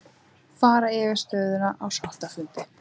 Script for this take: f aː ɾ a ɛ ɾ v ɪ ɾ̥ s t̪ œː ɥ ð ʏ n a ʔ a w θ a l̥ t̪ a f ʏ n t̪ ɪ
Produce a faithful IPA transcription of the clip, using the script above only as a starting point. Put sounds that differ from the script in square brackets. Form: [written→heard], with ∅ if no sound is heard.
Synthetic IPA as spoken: f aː ɾ a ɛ [ɾ→∅] v ɪ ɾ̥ s t̪ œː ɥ ð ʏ n a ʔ a w [θ→s] a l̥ t̪ a f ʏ n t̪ ɪ